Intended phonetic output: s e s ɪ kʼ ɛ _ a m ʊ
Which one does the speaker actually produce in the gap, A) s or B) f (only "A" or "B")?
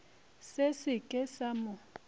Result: A